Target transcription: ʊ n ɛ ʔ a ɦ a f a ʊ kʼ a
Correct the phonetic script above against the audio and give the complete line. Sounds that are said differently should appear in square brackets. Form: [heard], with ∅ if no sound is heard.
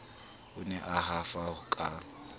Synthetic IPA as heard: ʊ n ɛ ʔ a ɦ a f a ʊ kʼ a